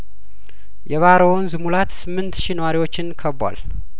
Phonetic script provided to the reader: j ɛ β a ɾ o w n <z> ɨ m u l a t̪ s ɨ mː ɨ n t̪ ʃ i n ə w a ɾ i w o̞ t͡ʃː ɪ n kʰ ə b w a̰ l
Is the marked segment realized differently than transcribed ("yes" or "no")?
no